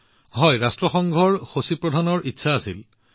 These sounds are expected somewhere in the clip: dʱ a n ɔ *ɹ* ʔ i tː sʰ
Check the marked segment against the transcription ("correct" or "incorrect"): correct